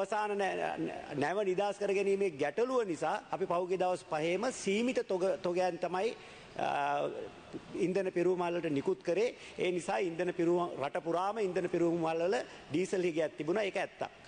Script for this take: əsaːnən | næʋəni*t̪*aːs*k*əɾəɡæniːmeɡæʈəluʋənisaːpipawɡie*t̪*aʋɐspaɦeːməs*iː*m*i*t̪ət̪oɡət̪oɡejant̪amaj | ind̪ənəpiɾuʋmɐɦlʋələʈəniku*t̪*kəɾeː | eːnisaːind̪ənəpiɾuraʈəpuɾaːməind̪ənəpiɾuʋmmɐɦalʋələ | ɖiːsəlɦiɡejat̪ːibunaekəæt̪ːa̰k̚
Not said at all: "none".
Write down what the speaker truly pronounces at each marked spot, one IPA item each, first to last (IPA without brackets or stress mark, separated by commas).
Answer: d̪, k, d̪, iː, i, t̪